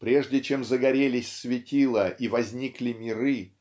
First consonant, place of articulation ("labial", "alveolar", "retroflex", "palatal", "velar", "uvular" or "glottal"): labial